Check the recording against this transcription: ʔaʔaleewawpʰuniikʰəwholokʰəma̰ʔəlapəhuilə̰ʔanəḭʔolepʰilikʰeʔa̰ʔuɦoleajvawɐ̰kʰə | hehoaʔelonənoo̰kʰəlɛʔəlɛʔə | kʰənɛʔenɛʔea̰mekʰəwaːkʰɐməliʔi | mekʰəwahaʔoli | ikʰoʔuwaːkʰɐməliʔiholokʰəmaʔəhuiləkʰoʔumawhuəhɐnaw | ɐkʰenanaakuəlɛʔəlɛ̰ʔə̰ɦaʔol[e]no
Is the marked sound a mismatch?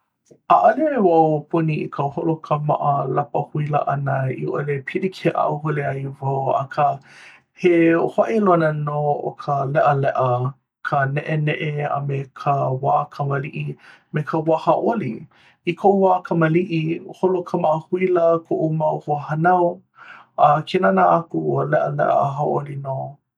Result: yes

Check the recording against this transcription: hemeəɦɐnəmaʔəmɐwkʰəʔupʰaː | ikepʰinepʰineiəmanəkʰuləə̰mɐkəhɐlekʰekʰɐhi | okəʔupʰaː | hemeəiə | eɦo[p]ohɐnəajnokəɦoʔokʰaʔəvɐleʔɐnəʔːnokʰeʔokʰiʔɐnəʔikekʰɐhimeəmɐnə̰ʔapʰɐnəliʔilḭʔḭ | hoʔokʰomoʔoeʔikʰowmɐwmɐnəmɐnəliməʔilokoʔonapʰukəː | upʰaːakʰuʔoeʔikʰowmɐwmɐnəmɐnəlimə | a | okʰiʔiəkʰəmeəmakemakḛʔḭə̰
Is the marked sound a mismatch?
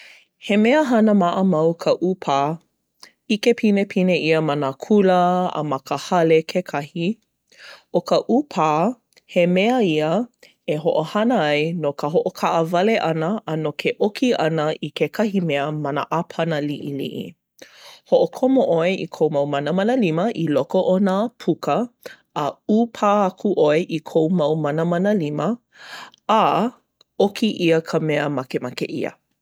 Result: yes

